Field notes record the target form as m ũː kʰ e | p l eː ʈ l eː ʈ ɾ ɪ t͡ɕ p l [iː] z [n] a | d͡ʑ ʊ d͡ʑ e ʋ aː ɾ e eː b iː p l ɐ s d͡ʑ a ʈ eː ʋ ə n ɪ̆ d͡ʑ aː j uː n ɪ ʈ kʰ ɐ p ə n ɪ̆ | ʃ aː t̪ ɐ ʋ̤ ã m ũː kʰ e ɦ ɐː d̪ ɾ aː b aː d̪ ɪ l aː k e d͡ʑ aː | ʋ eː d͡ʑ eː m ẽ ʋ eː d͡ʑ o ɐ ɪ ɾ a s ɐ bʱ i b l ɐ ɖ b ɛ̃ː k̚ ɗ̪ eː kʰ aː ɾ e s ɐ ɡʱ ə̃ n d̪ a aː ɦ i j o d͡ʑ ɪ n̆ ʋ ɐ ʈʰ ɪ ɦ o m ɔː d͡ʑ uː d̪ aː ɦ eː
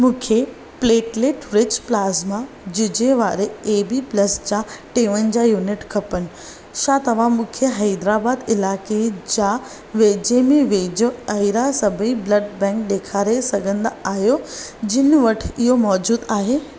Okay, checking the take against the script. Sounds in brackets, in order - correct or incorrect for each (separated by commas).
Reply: incorrect, incorrect